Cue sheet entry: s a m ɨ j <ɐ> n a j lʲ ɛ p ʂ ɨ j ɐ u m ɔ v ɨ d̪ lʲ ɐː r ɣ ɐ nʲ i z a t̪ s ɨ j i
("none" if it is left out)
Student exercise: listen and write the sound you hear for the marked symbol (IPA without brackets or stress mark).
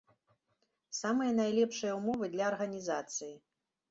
ɐ